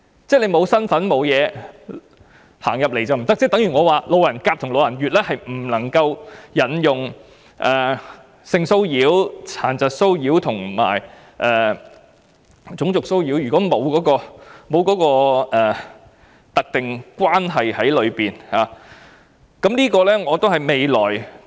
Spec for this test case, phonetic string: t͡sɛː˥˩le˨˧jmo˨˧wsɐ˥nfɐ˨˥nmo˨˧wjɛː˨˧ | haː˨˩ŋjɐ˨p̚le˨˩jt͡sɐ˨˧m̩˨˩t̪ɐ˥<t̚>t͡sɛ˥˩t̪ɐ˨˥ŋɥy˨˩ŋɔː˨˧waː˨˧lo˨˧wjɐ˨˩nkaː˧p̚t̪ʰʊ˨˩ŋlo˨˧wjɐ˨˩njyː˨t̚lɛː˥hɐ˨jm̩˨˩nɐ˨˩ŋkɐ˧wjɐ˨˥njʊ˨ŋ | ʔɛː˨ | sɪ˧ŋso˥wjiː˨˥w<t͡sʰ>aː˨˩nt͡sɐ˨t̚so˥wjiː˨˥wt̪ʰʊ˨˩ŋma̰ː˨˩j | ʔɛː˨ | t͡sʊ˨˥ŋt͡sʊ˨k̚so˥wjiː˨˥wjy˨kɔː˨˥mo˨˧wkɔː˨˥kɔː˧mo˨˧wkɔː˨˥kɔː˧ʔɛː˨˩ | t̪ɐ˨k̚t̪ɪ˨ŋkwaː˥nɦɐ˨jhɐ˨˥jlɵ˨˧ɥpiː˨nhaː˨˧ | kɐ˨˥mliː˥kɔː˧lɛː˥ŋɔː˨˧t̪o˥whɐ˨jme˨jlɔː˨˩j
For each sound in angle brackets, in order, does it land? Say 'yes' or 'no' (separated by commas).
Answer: no, yes